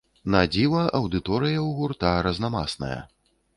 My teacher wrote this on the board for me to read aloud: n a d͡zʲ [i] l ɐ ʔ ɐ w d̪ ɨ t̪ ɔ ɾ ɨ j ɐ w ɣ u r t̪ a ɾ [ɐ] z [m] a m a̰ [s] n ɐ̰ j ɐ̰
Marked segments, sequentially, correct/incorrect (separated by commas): correct, correct, incorrect, correct